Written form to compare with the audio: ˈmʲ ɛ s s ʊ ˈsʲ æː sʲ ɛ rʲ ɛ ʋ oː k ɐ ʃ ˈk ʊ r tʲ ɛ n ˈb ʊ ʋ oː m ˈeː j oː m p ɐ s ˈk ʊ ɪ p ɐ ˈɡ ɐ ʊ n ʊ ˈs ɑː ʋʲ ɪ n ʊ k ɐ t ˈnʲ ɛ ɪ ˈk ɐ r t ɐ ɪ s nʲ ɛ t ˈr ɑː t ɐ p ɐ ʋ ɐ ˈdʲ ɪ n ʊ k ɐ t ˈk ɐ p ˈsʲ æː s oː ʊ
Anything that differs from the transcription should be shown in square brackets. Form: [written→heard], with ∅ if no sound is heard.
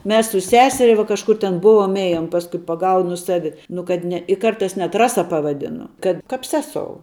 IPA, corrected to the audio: ˈmʲ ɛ s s ʊ ˈsʲ æː sʲ ɛ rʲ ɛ ʋ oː k ɐ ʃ ˈk ʊ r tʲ ɛ n ˈb ʊ ʋ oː m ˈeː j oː m p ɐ s ˈk ʊ ɪ p ɐ ˈɡ ɐ ʊ n ʊ ˈs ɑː ʋʲ ɪ n ʊ k ɐ t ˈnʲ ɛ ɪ ˈk ɐ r t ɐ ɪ s nʲ ɛ t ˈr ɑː [t→s] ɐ p ɐ ʋ ɐ ˈdʲ ɪ n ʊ k ɐ t ˈk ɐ p ˈsʲ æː s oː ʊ

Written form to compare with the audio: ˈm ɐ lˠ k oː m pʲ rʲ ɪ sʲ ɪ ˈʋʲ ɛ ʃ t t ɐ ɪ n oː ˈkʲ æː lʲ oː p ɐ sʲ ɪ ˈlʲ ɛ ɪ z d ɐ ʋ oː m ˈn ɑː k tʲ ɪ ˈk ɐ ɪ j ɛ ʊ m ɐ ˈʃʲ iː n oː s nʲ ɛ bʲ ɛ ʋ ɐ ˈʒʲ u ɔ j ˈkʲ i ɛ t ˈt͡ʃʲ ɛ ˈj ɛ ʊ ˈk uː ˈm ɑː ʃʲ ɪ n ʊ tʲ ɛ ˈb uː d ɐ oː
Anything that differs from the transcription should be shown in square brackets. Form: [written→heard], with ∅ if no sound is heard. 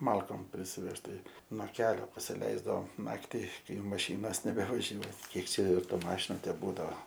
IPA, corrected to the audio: ˈm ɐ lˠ k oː m pʲ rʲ ɪ sʲ ɪ ˈʋʲ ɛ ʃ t t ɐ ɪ n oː ˈkʲ æː lʲ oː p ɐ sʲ ɪ ˈlʲ ɛ ɪ z d ɐ ʋ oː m ˈn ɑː k tʲ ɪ ˈk ɐ ɪ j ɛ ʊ m ɐ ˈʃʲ iː n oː s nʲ ɛ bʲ ɛ ʋ ɐ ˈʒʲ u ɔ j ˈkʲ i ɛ [t→k] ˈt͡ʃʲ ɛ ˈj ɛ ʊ [ˈk→ˈt] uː ˈm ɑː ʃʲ ɪ n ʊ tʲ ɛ ˈb uː d ɐ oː

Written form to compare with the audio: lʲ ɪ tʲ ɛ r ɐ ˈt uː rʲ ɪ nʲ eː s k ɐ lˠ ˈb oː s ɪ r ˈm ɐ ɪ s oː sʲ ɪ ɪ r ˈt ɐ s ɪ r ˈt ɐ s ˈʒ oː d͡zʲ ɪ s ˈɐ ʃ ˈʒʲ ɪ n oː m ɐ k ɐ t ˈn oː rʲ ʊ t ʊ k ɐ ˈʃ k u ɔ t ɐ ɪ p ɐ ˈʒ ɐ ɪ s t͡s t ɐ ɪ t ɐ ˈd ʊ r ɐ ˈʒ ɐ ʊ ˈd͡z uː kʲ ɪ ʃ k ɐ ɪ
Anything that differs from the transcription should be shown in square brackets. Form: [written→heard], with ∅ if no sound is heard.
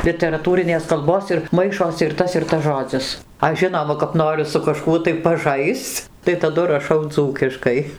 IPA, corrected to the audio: lʲ ɪ tʲ ɛ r ɐ ˈt uː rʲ ɪ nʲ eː s k ɐ lˠ ˈb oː s ɪ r ˈm ɐ ɪ [s→ʃ] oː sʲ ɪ ɪ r ˈt ɐ s ɪ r ˈt ɐ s ˈʒ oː d͡zʲ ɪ s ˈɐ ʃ ˈʒʲ ɪ n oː m ɐ k ɐ [t→p] ˈn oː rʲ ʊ [t→s] ʊ k ɐ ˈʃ k u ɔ t ɐ ɪ p ɐ ˈʒ ɐ ɪ s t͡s t ɐ ɪ t ɐ ˈd ʊ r ɐ [ˈʒ→ˈʃ] ɐ ʊ ˈd͡z uː kʲ ɪ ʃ k ɐ ɪ

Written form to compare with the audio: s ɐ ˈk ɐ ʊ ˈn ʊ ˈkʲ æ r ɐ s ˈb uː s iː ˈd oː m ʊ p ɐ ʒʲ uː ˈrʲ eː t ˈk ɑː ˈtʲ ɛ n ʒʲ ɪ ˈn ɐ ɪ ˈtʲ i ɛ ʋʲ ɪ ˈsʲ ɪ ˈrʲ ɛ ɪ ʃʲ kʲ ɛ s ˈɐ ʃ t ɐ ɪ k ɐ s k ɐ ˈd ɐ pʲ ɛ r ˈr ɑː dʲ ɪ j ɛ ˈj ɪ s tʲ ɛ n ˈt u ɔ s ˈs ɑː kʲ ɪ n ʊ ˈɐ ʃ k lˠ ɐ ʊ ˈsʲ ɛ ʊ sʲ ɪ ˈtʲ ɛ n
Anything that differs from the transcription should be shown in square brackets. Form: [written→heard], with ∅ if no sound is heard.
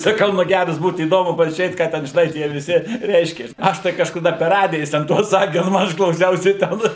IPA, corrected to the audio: s ɐ ˈk ɐ ʊ ˈn ʊ [ˈkʲ→ˈɡʲ] æ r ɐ s ˈb uː [s→t] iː ˈd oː m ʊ p ɐ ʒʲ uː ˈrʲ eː t ˈk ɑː ˈtʲ ɛ n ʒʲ ɪ ˈn ɐ ɪ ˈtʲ i ɛ ʋʲ ɪ ˈsʲ ɪ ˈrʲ ɛ ɪ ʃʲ kʲ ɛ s ˈɐ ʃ t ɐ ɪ k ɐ [s→ʃ] k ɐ ˈd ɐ pʲ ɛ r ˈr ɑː dʲ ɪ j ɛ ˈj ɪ s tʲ ɛ n ˈt u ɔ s ˈs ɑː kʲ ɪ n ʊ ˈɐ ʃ k lˠ ɐ ʊ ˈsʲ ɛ ʊ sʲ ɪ ˈtʲ ɛ n

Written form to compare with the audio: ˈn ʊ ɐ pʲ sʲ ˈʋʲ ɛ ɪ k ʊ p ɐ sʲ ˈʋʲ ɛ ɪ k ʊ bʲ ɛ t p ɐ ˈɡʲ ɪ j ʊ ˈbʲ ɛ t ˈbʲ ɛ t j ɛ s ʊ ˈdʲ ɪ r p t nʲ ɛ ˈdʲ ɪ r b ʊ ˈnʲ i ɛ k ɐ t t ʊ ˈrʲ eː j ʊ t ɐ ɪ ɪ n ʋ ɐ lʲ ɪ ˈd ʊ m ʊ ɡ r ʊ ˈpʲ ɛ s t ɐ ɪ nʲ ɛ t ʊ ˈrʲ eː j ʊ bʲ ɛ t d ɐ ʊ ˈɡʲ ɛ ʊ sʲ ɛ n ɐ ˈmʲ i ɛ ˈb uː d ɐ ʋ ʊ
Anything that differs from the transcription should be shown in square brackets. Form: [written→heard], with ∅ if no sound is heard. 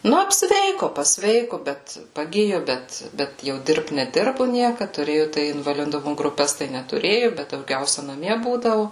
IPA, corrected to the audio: ˈn ʊ ɐ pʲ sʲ ˈʋʲ ɛ ɪ k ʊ p ɐ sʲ ˈʋʲ ɛ ɪ k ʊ bʲ ɛ t p ɐ ˈɡʲ ɪ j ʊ ˈbʲ ɛ t ˈbʲ ɛ t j ɛ [s→∅] ʊ ˈdʲ ɪ r p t nʲ ɛ ˈdʲ ɪ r b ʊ ˈnʲ i ɛ k ɐ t t ʊ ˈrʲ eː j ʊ t ɐ ɪ ɪ n ʋ ɐ lʲ ɪ ˈd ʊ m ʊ ɡ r ʊ ˈpʲ ɛ s t ɐ ɪ nʲ ɛ t ʊ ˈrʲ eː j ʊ bʲ ɛ t d ɐ ʊ ˈɡʲ ɛ ʊ sʲ ɛ n ɐ ˈmʲ i ɛ ˈb uː d ɐ ʋ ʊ

